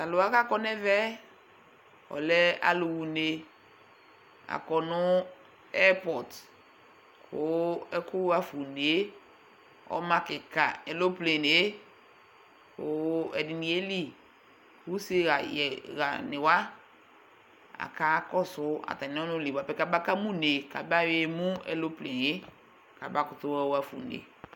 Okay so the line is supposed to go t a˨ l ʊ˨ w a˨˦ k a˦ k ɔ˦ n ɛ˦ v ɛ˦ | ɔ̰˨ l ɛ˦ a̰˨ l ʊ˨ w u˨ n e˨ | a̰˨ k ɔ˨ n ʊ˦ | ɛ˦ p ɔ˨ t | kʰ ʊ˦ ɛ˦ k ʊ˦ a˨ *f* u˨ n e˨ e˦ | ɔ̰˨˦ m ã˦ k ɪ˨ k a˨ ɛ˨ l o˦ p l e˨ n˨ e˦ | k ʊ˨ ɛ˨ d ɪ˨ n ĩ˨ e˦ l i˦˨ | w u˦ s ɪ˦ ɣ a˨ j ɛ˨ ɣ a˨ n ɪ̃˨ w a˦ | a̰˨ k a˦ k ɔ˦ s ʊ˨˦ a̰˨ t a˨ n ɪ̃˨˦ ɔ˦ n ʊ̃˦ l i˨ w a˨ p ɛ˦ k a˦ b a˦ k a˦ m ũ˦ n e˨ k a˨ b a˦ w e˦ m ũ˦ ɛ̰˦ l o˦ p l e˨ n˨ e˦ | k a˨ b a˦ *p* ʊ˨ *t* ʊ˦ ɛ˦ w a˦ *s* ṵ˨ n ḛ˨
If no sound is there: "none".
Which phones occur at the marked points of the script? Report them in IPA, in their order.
f, k, t, f

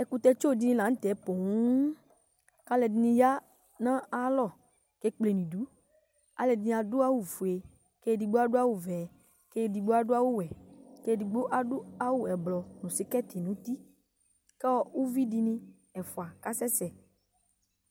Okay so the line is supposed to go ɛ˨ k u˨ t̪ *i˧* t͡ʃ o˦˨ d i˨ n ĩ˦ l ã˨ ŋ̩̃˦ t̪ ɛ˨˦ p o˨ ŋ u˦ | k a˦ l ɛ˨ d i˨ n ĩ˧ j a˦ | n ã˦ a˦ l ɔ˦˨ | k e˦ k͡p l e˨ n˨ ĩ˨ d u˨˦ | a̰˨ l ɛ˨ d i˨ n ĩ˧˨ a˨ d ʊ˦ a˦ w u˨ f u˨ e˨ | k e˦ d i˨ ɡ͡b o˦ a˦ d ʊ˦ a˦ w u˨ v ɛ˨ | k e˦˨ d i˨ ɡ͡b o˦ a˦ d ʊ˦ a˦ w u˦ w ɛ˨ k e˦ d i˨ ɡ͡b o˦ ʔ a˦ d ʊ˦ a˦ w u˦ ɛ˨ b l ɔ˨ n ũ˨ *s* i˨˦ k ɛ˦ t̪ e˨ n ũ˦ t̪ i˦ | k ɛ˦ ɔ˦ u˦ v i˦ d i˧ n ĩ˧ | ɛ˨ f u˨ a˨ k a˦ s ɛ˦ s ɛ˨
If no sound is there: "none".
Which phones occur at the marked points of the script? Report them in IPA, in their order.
ɛ˧, s

